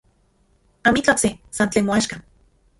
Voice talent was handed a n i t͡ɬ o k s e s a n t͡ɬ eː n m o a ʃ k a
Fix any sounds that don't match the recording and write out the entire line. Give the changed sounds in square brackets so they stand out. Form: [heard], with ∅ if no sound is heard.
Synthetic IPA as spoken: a [m] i t͡ɬ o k s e s a n t͡ɬ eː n m o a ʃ k a